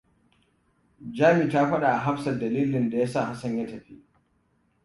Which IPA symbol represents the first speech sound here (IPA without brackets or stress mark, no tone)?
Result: d͡ʒ